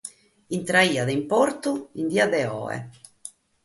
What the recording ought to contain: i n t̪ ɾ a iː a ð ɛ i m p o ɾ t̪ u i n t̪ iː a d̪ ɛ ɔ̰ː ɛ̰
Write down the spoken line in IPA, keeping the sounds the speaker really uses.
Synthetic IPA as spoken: i n t̪ ɾ a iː a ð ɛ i m p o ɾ t̪ u i n d̪ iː a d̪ ɛ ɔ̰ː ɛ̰